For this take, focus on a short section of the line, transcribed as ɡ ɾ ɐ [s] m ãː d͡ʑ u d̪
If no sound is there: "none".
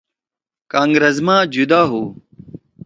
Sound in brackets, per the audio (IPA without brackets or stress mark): z